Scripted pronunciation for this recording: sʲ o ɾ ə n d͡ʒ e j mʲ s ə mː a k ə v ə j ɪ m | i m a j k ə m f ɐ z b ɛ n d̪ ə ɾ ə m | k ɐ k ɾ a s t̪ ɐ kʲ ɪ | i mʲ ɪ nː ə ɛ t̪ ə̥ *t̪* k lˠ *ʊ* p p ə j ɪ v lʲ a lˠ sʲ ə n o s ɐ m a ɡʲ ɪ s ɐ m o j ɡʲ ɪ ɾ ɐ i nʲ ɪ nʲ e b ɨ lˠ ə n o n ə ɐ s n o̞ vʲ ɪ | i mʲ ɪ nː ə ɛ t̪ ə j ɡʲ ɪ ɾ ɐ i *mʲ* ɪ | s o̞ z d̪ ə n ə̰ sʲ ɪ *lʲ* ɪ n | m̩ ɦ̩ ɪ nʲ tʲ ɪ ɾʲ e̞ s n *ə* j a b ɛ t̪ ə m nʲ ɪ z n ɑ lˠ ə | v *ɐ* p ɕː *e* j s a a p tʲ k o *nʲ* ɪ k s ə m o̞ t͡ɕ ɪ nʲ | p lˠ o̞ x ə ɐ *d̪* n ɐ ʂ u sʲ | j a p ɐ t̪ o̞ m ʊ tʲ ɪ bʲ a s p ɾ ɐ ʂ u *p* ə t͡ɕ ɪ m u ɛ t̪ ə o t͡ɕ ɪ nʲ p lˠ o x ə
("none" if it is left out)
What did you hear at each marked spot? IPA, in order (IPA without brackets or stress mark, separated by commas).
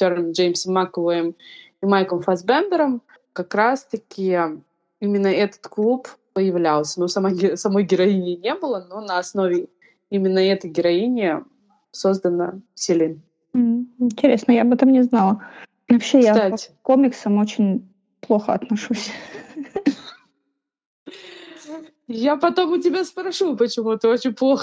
t̪, u, nʲ, lʲ, ə, ɐ, e, mʲ, t̪, p